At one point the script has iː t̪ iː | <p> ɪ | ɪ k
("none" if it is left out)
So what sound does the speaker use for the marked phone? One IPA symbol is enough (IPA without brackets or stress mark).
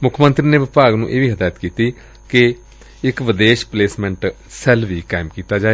k